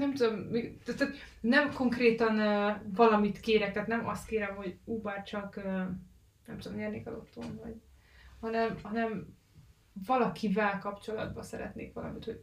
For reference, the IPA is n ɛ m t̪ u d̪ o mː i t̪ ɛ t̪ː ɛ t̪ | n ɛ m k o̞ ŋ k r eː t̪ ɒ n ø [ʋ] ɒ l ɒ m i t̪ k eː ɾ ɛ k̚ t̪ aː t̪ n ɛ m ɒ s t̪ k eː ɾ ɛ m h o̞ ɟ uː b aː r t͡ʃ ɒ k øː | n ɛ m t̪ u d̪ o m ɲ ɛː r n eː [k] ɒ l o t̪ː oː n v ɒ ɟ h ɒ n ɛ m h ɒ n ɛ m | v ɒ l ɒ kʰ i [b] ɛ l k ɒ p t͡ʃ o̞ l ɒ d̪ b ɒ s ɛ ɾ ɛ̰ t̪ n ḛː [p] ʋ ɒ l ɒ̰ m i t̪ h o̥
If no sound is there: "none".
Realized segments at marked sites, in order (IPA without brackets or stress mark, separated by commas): v, k, v, k